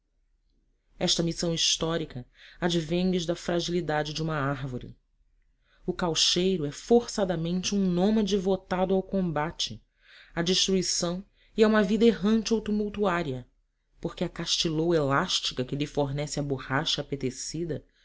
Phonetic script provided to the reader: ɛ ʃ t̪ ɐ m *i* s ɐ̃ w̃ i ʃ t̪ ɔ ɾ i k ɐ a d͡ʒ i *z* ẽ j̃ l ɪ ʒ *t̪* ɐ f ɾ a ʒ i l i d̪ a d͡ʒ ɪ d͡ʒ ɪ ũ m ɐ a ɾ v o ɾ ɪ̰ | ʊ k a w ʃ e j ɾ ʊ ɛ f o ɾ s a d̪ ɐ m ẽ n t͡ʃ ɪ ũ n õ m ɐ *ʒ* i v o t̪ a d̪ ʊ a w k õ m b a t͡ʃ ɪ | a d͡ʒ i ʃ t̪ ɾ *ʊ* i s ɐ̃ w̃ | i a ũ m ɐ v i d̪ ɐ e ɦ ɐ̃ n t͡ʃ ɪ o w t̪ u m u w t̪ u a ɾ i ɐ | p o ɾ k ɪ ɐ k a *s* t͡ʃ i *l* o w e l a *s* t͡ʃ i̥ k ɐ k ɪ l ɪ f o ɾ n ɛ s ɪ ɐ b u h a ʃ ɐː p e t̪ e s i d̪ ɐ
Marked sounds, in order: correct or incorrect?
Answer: correct, incorrect, incorrect, incorrect, incorrect, incorrect, correct, incorrect

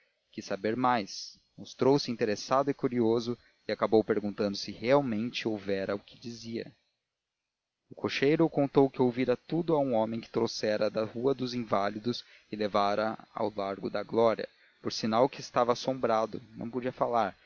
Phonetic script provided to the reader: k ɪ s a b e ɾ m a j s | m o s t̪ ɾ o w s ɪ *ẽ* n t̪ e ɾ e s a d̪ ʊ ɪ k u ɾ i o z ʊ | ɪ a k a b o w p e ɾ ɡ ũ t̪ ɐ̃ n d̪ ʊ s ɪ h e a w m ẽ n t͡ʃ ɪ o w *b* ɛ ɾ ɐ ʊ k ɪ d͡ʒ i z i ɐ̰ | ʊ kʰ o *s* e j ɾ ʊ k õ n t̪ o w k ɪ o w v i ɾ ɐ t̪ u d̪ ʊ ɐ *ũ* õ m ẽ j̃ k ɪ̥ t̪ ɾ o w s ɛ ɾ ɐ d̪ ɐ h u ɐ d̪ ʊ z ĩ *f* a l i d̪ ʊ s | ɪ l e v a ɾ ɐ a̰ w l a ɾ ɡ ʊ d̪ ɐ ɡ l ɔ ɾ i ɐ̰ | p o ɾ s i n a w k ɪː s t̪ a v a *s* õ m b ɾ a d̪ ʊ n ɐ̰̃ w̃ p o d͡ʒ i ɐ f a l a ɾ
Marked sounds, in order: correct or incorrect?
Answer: incorrect, incorrect, incorrect, correct, incorrect, correct

